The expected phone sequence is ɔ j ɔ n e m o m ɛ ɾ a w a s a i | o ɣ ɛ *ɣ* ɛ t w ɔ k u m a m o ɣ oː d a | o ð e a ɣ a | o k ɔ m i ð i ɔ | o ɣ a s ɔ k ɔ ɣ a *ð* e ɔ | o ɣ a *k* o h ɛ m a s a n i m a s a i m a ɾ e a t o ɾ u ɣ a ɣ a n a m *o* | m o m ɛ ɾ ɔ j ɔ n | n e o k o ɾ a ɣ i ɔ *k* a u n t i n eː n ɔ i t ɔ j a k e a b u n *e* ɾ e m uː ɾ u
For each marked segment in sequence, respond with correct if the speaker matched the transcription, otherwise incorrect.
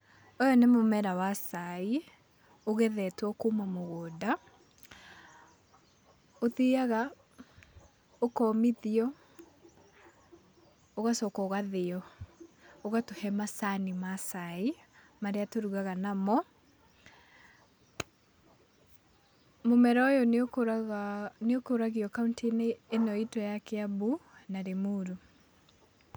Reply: incorrect: ð, correct, incorrect: t, incorrect: ɔ, correct, incorrect: a

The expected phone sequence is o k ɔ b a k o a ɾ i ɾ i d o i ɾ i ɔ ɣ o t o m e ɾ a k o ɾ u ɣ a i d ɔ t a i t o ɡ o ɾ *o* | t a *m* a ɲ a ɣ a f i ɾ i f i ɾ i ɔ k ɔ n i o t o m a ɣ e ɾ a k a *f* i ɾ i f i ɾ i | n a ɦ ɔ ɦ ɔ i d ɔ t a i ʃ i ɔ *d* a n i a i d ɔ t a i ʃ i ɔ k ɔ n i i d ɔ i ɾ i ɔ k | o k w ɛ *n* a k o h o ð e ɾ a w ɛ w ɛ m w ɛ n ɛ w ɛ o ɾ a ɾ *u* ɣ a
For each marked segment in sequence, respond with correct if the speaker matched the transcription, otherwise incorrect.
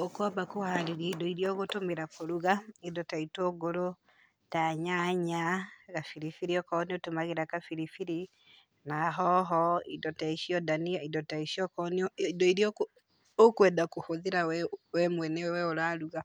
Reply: correct, incorrect: ɲ, correct, correct, incorrect: d, correct

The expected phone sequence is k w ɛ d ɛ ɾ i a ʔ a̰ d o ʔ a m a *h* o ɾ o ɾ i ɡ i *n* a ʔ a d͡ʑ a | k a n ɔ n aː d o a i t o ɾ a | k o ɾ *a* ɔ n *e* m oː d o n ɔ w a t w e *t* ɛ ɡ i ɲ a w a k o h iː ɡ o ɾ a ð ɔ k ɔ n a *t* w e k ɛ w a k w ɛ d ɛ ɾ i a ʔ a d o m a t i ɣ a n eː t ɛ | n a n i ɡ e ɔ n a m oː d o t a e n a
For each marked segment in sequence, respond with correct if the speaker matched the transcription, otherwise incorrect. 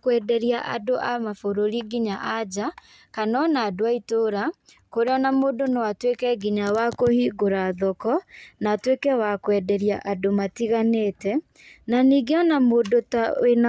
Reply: incorrect: f, incorrect: ɲ, incorrect: e, incorrect: a, incorrect: k, correct

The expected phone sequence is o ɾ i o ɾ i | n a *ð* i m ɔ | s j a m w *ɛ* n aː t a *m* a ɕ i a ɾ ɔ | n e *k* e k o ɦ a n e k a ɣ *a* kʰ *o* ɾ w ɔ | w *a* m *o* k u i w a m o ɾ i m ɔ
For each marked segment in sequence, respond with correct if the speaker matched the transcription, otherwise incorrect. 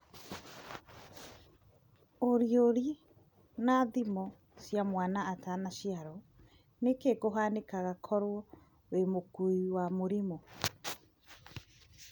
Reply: correct, incorrect: a, incorrect: n, correct, correct, incorrect: ɔ, incorrect: e, correct

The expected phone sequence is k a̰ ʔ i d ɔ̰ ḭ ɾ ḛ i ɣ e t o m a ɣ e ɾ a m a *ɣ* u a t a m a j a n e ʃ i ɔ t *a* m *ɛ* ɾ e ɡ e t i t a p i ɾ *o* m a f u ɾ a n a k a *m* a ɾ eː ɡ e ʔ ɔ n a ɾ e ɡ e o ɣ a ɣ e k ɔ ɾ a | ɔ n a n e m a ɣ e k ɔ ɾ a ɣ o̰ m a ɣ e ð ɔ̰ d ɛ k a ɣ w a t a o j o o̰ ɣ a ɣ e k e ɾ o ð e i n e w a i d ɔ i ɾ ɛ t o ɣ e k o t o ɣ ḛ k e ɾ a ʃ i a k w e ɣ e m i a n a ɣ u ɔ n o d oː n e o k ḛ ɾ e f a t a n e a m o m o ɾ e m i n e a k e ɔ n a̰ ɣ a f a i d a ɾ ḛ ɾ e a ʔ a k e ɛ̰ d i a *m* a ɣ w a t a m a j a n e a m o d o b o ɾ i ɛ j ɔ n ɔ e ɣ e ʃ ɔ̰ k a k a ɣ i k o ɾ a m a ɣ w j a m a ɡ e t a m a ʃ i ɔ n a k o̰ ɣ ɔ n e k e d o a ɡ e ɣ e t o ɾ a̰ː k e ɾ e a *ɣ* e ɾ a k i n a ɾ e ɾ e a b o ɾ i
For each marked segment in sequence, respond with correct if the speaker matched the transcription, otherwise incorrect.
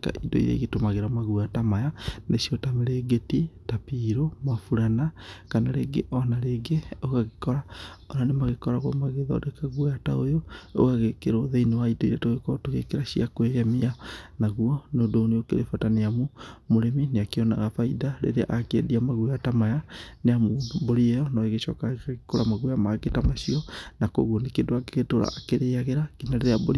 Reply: correct, correct, incorrect: e, correct, incorrect: n, correct, correct

